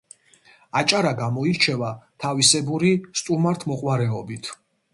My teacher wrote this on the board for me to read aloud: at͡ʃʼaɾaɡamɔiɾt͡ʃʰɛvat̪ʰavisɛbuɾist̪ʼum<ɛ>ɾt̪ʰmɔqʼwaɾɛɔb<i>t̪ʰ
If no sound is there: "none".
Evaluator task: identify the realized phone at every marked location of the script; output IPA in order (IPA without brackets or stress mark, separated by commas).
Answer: a, i